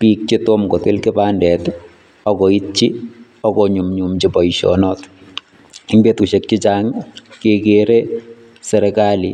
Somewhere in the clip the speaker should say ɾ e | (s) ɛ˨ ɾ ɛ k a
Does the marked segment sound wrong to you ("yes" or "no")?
no